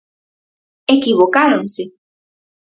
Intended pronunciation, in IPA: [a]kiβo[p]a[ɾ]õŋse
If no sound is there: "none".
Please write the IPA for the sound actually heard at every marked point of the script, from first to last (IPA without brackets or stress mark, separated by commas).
e, k, ɾ